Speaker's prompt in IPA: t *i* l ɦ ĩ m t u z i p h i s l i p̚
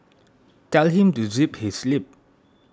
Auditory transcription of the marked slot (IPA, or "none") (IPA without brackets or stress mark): ɛ